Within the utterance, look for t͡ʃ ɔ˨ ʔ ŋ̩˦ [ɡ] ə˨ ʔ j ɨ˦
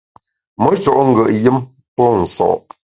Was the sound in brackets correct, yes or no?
yes